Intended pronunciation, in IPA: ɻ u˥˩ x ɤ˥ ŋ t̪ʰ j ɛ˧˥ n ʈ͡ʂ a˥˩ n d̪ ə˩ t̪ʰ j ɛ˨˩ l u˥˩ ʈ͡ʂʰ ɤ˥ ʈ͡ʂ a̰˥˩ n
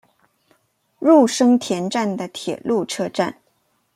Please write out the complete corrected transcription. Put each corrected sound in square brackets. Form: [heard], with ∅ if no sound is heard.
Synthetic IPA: ɻ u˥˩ [ʂ] ɤ˥ ŋ t̪ʰ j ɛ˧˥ n ʈ͡ʂ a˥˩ n d̪ ə˩ t̪ʰ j ɛ˨˩ l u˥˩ ʈ͡ʂʰ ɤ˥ ʈ͡ʂ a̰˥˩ n